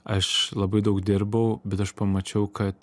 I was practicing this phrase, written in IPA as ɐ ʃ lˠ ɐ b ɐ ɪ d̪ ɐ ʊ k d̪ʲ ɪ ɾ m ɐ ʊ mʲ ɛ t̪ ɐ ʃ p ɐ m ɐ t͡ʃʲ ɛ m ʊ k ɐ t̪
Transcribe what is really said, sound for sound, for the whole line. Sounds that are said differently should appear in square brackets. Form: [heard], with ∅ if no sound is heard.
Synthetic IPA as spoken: ɐ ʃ lˠ ɐ b ɐ ɪ d̪ ɐ ʊ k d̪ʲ ɪ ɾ [b] ɐ ʊ [bʲ] ɛ t̪ ɐ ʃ p ɐ m ɐ t͡ʃʲ ɛ [∅] ʊ k ɐ t̪

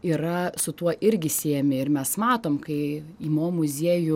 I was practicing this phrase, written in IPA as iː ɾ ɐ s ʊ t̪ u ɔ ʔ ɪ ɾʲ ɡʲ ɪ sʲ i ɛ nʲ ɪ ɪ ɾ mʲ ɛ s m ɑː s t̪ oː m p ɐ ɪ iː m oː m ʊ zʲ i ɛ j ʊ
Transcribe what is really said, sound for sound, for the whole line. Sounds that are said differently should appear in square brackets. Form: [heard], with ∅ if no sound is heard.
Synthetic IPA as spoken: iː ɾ ɐ s ʊ t̪ u ɔ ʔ ɪ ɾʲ ɡʲ ɪ sʲ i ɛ [mʲ] ɪ ɪ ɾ mʲ ɛ s m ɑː [∅] t̪ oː m [k] ɐ ɪ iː m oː m ʊ zʲ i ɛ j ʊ

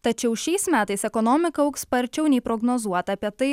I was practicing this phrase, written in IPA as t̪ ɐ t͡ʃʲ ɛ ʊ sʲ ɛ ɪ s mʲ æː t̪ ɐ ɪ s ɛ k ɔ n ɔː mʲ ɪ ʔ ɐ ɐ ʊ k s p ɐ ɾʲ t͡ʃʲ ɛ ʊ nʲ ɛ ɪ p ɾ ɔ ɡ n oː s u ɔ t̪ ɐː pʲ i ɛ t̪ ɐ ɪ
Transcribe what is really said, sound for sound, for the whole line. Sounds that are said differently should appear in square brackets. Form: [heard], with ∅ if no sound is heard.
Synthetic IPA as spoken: t̪ ɐ t͡ʃʲ ɛ ʊ [ʃʲ] ɛ ɪ s mʲ æː t̪ ɐ ɪ s ɛ k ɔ n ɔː mʲ ɪ [k] ɐ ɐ ʊ k s p ɐ ɾʲ t͡ʃʲ ɛ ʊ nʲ ɛ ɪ p ɾ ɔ ɡ n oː [z] u ɔ t̪ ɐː pʲ i ɛ t̪ ɐ ɪ

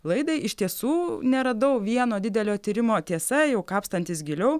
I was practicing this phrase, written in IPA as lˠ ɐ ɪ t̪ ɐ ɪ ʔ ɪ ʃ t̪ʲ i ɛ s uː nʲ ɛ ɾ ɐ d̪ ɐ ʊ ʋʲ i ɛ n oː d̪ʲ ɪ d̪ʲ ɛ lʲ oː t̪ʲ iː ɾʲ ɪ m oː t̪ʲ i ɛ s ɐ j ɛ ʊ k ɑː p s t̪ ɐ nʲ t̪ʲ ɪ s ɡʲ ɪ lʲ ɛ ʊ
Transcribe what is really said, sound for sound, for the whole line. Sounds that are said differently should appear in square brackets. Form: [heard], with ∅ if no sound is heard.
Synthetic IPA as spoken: lˠ ɐ ɪ [d̪] ɐ ɪ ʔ ɪ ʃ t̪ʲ i ɛ s uː nʲ ɛ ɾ ɐ d̪ ɐ ʊ ʋʲ i ɛ n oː d̪ʲ ɪ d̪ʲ ɛ lʲ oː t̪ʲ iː ɾʲ ɪ m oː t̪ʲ i ɛ s ɐ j ɛ ʊ k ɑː p s t̪ ɐ nʲ t̪ʲ ɪ s ɡʲ ɪ lʲ ɛ ʊ

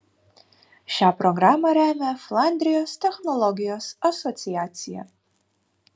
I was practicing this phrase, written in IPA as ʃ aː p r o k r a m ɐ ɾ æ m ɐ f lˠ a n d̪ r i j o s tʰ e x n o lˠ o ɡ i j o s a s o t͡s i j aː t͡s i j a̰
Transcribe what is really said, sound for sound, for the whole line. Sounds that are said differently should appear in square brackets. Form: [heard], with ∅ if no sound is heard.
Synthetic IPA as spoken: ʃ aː p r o [ɡ] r a m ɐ ɾ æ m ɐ f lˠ a n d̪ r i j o s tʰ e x n o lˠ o ɡ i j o s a s o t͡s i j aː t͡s i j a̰

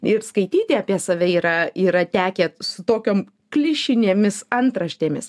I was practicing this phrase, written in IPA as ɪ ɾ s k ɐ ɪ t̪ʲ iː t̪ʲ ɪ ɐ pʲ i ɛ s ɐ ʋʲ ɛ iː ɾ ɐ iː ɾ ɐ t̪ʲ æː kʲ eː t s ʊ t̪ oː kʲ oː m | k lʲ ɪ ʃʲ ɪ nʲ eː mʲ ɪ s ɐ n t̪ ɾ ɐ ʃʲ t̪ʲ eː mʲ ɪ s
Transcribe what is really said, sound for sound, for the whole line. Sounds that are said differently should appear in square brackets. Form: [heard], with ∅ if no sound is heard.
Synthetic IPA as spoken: ɪ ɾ s k ɐ ɪ t̪ʲ iː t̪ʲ ɪ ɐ pʲ i ɛ s ɐ ʋʲ ɛ iː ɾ ɐ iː ɾ ɐ t̪ʲ æː kʲ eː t s ʊ t̪ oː kʲ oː m | k lʲ ɪ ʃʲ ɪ nʲ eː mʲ ɪ s ɐ n t̪ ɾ ɐ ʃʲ t̪ʲ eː mʲ ɪ s

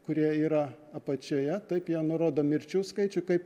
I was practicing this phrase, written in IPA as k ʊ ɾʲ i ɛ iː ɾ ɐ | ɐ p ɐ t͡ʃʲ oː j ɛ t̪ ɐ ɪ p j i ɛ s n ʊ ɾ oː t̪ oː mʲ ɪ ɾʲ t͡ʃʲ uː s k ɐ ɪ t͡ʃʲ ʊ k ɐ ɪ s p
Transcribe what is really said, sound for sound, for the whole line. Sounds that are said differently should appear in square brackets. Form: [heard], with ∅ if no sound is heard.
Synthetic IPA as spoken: k ʊ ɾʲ i ɛ iː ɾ ɐ | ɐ p ɐ t͡ʃʲ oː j ɛ t̪ ɐ ɪ p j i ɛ [∅] n ʊ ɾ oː [d̪] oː mʲ ɪ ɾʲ t͡ʃʲ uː s k ɐ ɪ t͡ʃʲ ʊ k ɐ ɪ [∅] p

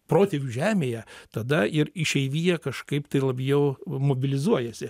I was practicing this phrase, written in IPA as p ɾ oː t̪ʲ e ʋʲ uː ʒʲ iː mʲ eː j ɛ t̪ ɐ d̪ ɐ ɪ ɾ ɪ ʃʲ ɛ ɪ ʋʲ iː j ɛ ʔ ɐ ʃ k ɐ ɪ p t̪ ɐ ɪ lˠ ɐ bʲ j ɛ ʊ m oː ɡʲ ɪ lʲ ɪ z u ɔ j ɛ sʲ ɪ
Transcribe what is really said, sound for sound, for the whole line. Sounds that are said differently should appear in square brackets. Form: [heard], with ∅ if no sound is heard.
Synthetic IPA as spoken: p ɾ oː t̪ʲ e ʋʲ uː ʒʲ [æː] mʲ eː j ɛ t̪ ɐ d̪ ɐ ɪ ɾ ɪ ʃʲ ɛ ɪ ʋʲ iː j ɛ [k] ɐ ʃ k ɐ ɪ p t̪ ɐ ɪ lˠ ɐ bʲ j ɛ ʊ m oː [bʲ] ɪ lʲ ɪ z u ɔ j ɛ sʲ ɪ

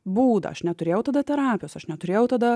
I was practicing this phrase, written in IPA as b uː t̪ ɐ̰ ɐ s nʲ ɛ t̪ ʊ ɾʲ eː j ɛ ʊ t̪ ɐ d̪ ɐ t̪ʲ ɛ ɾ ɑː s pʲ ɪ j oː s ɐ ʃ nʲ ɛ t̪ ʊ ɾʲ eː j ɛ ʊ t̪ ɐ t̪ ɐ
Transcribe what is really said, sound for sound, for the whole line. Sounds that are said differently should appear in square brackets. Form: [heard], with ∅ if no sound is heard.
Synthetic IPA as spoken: b uː [d̪] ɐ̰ ɐ [ʃ] nʲ ɛ t̪ ʊ ɾʲ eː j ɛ ʊ t̪ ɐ d̪ ɐ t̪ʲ ɛ ɾ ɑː [∅] pʲ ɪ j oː s ɐ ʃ nʲ ɛ t̪ ʊ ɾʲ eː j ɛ ʊ t̪ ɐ [d̪] ɐ

